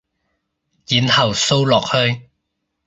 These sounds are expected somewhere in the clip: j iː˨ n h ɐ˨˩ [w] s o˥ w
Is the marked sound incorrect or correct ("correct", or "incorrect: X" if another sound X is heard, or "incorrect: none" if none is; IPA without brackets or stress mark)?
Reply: correct